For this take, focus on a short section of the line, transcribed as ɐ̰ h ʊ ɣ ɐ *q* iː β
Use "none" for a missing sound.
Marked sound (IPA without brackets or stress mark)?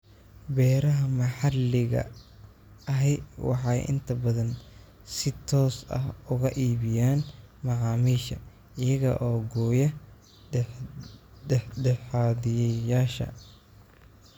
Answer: ʔ